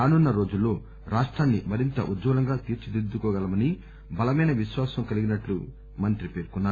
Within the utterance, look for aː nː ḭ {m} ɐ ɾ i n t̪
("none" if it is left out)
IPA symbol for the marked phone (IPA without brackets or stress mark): m